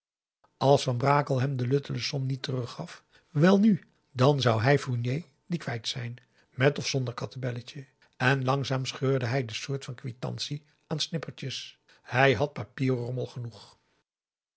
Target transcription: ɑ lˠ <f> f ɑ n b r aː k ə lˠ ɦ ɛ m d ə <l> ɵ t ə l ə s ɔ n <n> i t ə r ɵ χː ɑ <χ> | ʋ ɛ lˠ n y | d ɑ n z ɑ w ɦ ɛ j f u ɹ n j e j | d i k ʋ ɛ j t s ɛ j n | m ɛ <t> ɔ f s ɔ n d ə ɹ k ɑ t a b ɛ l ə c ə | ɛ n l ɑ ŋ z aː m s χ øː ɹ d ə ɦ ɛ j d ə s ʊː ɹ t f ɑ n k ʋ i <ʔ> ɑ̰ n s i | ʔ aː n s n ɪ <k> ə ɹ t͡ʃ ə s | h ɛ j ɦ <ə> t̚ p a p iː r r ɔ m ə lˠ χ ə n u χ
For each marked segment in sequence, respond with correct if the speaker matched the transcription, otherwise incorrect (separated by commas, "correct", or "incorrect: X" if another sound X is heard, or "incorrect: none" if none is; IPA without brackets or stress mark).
incorrect: s, correct, correct, incorrect: f, correct, incorrect: t, incorrect: p, incorrect: ɑ